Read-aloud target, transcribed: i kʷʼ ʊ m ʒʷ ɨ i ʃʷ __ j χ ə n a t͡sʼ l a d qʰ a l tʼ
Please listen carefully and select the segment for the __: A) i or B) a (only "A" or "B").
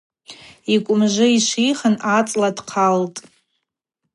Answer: A